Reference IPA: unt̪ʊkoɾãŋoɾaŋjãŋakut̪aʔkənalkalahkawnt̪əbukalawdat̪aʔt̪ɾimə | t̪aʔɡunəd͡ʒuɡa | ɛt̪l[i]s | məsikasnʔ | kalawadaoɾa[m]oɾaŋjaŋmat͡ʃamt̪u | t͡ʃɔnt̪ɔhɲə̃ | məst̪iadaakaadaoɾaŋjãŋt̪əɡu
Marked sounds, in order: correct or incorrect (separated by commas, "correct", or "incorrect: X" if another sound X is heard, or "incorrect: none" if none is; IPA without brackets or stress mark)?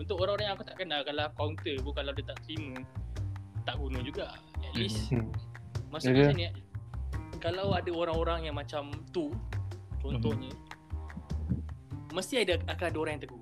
correct, incorrect: ŋ